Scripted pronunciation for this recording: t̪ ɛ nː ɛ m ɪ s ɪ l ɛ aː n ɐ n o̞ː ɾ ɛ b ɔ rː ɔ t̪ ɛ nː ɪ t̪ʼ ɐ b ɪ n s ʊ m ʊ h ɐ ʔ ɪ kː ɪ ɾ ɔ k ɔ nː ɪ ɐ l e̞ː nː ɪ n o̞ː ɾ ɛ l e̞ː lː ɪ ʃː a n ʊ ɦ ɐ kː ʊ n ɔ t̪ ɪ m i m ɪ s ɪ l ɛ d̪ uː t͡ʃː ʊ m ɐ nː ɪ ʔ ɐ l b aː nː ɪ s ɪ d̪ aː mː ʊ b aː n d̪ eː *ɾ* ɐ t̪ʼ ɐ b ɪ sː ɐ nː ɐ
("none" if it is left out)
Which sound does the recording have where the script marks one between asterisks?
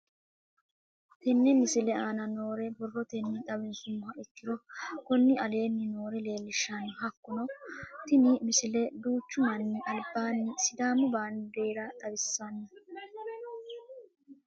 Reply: ɾ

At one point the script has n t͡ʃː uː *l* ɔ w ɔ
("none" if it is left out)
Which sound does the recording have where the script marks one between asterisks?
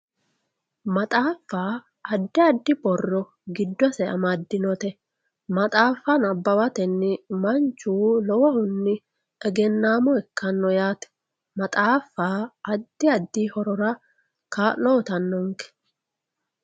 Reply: l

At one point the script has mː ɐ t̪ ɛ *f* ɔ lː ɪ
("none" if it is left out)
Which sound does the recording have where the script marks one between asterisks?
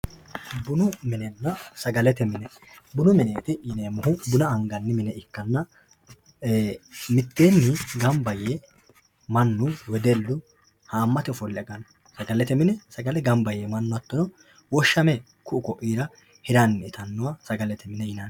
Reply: f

